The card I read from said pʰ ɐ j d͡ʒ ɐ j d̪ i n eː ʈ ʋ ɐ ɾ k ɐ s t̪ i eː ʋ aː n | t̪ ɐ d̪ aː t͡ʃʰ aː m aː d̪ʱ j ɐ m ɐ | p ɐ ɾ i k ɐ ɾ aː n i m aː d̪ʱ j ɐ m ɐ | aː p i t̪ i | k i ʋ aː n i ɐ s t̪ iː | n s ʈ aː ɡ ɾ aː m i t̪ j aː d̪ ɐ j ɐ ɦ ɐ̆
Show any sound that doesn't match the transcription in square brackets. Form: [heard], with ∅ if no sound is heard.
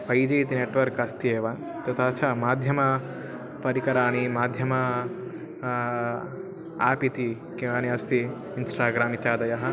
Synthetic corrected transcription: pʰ ɐ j d͡ʒ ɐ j [t̪] i n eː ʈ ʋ ɐ ɾ k ɐ s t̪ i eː ʋ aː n | t̪ ɐ [t̪] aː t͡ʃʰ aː m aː d̪ʱ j ɐ m ɐ | p ɐ ɾ i k ɐ ɾ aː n i m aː d̪ʱ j ɐ m ɐ | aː p i t̪ i | k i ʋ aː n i ɐ s t̪ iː | n s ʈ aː ɡ ɾ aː m i t̪ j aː d̪ ɐ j ɐ ɦ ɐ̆